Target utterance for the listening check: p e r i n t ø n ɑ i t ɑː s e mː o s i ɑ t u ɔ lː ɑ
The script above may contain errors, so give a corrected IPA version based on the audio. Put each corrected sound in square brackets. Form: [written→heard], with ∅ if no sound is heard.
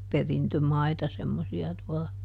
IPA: p e r i n t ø [n→m] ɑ i t [ɑː→ɑ] s e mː o s i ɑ t u ɔ [lː→l] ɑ